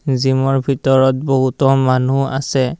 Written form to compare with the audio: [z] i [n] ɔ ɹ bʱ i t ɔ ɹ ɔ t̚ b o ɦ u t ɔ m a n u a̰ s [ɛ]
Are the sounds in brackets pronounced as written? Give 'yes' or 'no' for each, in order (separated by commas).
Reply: yes, no, yes